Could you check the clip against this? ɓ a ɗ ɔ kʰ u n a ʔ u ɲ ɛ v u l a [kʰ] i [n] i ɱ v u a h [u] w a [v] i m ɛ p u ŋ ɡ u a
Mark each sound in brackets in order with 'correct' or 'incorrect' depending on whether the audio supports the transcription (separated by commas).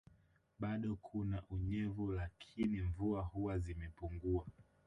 correct, correct, correct, incorrect